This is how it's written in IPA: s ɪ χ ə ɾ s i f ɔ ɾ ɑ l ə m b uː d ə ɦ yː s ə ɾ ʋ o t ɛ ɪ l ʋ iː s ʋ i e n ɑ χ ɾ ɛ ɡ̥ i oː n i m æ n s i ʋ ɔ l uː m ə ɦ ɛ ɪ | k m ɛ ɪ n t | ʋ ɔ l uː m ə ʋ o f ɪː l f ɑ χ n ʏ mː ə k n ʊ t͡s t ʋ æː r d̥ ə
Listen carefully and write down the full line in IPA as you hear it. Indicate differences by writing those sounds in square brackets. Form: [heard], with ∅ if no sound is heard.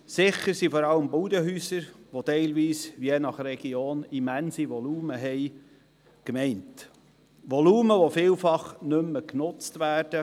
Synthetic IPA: s ɪ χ ə ɾ s i f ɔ ɾ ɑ l ə m b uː d ə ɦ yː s ə ɾ ʋ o t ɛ ɪ l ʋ iː s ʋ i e n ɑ χ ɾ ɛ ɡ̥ i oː n i m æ n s i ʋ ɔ l uː m ə ɦ ɛ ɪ | k m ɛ ɪ n t | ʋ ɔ l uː m ə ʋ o f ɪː l f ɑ χ n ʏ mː ə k n ʊ t͡s t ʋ æː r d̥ ə

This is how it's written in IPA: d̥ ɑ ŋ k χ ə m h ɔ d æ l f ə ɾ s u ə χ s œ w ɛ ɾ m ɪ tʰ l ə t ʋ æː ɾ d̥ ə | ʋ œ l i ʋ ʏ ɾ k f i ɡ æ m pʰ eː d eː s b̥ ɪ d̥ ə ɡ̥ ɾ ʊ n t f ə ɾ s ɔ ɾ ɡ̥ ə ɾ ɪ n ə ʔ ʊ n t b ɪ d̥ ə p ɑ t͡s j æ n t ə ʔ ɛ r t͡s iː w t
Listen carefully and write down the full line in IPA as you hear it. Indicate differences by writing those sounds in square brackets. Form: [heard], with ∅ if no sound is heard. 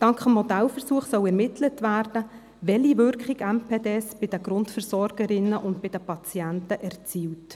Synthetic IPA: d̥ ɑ ŋ k χ ə m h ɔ d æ l f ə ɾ s u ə χ s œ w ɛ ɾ m ɪ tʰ l ə t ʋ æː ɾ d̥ ə | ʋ [ɛ] l i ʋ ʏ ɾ k [χ] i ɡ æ m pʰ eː d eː s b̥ ɪ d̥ ə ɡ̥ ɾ ʊ n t f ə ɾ s ɔ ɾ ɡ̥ ə ɾ ɪ n ə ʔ ʊ n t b ɪ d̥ ə p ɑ t͡s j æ n t ə ʔ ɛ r t͡s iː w t

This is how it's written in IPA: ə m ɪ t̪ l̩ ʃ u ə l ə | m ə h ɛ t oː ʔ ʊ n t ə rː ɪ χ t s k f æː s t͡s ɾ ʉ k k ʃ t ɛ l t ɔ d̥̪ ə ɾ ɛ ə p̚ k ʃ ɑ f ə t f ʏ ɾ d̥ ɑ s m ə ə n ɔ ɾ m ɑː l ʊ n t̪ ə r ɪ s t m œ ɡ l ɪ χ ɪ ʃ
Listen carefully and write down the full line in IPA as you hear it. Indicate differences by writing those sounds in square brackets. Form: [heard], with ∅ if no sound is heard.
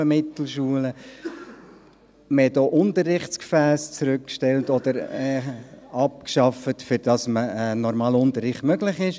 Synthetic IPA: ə m ɪ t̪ l̩ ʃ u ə l ə | m ə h ɛ t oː ʔ ʊ n t ə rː ɪ χ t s k f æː s t͡s ɾ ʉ k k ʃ t ɛ l t ɔ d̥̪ ə ɾ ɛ [ɑ] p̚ k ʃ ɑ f ə t f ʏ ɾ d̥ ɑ s m ə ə n ɔ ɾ m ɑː l ʊ n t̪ ə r ɪ [χ] t m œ ɡ l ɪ χ ɪ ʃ

